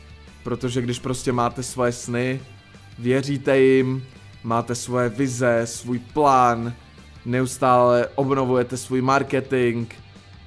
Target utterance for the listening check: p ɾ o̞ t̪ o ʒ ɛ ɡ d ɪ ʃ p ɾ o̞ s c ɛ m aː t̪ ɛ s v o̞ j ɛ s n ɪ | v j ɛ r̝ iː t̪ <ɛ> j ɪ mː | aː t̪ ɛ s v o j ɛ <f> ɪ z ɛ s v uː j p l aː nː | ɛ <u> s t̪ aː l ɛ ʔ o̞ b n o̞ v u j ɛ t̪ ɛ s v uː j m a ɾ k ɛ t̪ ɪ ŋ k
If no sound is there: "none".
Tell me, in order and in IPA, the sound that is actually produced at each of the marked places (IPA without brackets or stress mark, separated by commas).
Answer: ɛ, v, u